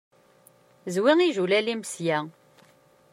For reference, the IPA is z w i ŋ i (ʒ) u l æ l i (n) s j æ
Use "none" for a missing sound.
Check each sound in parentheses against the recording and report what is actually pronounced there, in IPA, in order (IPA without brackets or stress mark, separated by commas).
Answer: ʒ, m